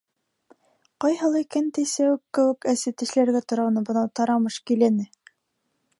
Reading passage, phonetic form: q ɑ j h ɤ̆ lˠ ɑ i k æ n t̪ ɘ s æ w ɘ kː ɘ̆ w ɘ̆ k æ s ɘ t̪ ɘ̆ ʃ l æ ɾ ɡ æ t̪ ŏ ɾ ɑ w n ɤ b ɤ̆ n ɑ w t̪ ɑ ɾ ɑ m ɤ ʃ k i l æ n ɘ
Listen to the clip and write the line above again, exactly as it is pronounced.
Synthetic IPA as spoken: q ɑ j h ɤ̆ lˠ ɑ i k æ n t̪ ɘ s æ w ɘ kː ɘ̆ w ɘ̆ k æ s ɘ t̪ ɘ̆ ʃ l æ ɾ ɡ æ t̪ ŏ ɾ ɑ w n ɤ b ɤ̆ n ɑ w t̪ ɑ ɾ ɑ m ɤ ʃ k i l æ n ɘ